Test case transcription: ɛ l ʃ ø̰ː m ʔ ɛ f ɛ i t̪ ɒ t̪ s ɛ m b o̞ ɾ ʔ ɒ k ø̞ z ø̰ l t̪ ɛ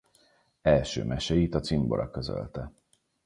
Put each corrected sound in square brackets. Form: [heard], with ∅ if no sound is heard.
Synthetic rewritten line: ɛ l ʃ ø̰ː m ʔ ɛ [ʃ] ɛ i t̪ ɒ t̪ s [i] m b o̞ ɾ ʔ ɒ k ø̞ z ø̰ l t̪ ɛ